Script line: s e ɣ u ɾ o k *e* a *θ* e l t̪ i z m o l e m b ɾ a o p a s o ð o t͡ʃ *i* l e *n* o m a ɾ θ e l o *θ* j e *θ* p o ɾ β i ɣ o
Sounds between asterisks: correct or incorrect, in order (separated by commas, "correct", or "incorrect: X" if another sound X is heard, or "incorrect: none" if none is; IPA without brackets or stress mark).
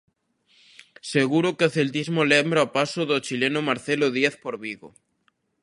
correct, correct, correct, correct, incorrect: ð, correct